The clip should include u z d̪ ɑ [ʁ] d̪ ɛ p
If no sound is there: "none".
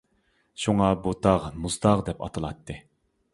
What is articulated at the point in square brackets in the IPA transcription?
ʁ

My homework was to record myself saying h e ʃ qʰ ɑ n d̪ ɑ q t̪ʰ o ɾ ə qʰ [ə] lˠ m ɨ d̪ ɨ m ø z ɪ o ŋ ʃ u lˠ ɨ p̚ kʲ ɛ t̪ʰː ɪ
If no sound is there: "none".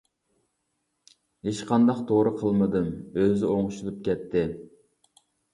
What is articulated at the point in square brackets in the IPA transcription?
ə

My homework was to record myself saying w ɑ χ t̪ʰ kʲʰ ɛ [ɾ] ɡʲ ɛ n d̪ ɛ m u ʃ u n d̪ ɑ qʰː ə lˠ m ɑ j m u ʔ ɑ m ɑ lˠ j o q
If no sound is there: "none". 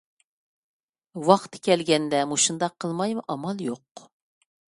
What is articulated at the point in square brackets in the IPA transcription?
l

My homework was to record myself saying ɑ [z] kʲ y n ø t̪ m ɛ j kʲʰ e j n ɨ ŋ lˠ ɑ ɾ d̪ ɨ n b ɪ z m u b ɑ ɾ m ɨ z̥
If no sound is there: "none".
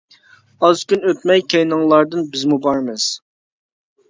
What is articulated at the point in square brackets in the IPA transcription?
z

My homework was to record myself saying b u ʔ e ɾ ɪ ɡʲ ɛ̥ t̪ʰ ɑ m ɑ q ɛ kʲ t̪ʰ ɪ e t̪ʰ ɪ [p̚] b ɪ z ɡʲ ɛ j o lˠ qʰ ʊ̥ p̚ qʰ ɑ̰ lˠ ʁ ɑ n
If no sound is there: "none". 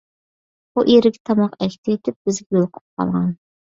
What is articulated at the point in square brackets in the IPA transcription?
p̚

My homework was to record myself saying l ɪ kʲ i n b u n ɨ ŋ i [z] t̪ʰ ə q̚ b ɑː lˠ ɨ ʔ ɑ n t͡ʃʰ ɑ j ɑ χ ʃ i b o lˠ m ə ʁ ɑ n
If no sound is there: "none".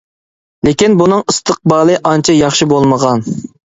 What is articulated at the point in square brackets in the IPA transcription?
s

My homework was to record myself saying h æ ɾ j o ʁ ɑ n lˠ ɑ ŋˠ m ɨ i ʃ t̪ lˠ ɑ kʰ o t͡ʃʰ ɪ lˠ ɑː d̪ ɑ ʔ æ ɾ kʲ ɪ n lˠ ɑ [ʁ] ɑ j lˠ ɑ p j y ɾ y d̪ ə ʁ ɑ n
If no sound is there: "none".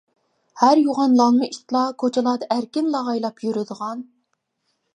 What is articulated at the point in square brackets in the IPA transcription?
ʁ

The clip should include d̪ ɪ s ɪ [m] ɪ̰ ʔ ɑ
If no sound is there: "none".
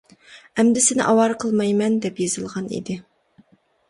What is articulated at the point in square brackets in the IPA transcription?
n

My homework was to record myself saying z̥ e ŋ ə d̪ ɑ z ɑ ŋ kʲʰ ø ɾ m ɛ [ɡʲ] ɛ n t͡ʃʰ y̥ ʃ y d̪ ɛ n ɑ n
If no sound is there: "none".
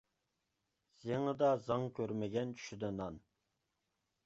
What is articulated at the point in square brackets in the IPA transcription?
ɡʲ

